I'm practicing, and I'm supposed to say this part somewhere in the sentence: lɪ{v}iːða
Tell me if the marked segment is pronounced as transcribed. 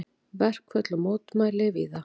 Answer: yes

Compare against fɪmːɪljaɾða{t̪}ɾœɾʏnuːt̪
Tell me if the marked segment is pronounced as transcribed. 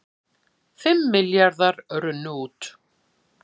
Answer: no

